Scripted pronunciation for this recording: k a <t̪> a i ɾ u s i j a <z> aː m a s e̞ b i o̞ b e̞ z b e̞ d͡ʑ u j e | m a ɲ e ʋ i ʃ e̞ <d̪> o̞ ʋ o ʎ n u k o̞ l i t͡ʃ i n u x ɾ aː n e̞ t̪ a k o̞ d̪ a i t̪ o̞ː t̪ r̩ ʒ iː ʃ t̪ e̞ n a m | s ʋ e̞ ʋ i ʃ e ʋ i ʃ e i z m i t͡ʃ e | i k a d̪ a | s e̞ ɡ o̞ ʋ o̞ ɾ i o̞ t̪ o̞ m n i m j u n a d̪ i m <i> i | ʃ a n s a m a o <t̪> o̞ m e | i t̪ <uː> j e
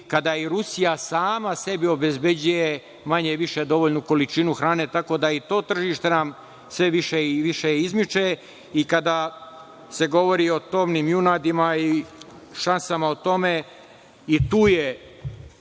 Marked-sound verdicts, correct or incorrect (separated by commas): incorrect, incorrect, correct, incorrect, correct, correct